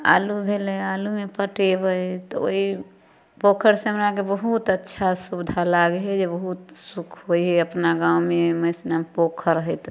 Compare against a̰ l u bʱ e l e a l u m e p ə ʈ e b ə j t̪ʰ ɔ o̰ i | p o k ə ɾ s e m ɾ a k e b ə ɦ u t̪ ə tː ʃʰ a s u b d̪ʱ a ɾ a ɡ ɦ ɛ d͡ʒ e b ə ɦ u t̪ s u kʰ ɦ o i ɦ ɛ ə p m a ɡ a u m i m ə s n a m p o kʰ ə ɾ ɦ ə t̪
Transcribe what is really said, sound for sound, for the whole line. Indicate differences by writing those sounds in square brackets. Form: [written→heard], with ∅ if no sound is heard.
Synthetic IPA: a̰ l u bʱ e l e a l u m e p ə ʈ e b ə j [t̪ʰ→t̪] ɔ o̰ i | p o [k→kʰ] ə ɾ s e m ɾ a k e b ə ɦ u t̪ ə tː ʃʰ a s u b d̪ʱ a [ɾ→l] a ɡ ɦ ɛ d͡ʒ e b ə ɦ u t̪ s u kʰ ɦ o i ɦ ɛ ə p [m→n] a ɡ a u m [i→e] m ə s n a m p o kʰ ə ɾ ɦ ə t̪